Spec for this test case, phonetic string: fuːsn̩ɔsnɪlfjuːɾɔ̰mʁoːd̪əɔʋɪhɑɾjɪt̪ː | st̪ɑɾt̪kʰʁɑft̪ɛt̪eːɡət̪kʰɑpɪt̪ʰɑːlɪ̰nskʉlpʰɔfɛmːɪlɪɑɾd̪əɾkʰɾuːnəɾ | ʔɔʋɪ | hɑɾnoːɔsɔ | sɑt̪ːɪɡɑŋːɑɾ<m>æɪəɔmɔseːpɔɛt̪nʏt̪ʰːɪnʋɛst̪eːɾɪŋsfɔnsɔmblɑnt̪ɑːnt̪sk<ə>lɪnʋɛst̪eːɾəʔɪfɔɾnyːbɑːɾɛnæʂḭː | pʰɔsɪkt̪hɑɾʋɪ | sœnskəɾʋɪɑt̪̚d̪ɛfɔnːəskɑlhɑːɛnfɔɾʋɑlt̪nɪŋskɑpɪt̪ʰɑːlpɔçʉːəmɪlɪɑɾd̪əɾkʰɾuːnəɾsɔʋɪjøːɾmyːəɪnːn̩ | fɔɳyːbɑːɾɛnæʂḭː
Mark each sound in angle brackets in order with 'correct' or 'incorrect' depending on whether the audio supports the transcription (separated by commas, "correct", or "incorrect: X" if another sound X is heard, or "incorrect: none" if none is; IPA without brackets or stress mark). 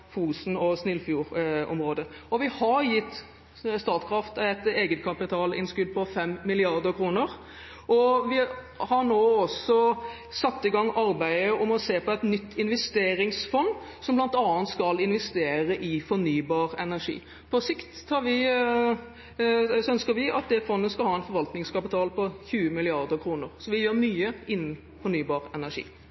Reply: incorrect: b, incorrect: ɑ